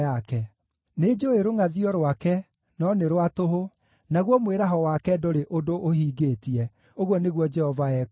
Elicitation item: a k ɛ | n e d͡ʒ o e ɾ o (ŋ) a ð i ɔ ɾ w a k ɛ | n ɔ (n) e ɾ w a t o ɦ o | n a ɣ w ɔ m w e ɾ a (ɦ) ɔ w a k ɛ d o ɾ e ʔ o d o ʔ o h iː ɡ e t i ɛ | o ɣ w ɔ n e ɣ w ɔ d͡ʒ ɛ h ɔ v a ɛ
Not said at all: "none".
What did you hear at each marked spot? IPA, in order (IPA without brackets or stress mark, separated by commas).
ŋ, n, ɦ